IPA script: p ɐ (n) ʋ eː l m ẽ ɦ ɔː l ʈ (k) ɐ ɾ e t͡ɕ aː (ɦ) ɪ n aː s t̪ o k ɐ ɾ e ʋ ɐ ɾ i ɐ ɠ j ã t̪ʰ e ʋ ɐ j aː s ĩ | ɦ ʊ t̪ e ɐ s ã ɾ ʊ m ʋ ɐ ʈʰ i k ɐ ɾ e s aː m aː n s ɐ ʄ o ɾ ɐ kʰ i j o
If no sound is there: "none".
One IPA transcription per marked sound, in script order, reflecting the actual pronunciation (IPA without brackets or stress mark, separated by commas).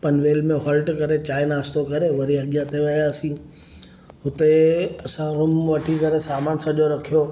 n, k, none